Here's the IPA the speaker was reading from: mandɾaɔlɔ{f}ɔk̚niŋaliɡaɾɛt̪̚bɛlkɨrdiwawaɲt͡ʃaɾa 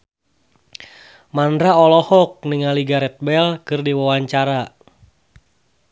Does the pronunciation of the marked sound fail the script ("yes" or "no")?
yes